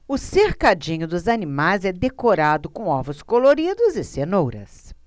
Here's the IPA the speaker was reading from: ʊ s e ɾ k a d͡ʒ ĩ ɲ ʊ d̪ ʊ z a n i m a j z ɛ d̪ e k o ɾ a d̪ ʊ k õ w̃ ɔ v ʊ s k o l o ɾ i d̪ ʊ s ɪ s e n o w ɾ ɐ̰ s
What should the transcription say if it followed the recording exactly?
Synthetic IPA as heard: ʊ s e ɾ k a d͡ʒ ĩ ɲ ʊ d̪ ʊ z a n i m a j z ɛ d̪ e k o ɾ a d̪ ʊ k õ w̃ ɔ v ʊ s k o l o ɾ i d̪ ʊ z ɪ s e n o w ɾ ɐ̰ s